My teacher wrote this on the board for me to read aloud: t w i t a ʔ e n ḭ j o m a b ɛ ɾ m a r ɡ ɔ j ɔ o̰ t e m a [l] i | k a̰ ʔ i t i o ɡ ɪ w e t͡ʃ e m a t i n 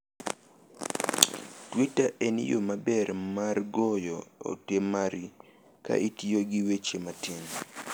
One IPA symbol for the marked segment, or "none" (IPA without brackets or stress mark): ɾ